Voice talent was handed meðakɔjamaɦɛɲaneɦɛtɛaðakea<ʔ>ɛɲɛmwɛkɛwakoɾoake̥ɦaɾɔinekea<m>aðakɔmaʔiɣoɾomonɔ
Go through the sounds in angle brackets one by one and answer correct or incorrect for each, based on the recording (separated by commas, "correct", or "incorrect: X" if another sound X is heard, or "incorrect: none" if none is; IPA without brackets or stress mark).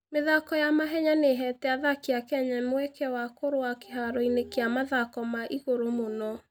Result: incorrect: k, correct